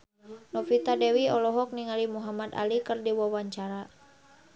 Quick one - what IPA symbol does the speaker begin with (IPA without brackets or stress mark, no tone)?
n